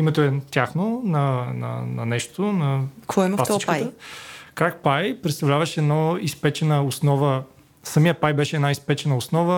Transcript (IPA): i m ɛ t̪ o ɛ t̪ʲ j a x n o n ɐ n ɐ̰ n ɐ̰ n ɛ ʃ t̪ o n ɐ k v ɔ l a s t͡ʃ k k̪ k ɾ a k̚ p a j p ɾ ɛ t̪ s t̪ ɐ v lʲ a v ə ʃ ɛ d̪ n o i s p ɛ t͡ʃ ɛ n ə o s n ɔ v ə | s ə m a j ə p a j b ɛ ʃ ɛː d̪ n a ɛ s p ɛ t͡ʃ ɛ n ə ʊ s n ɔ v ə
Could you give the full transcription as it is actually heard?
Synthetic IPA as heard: i m ɛ t̪ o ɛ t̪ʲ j a x n o n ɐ n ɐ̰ n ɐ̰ n ɛ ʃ t̪ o n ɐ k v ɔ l a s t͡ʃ k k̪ k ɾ a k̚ p a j p ɾ ɛ t̪ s t̪ ɐ v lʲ a v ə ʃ ɛ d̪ n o i s p ɛ t͡ʃ ɛ n ə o s n ɔ v ə | s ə m i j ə p a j b ɛ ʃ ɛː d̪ n a i s p ɛ t͡ʃ ɛ n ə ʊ s n ɔ v ə